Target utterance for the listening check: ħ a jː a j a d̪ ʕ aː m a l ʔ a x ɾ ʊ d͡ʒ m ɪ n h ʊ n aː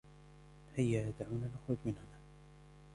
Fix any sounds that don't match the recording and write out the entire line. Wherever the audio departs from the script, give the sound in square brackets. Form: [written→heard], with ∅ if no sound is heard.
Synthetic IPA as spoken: [ħ→h] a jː a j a d̪ ʕ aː [m→n] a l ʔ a x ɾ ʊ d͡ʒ m ɪ n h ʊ n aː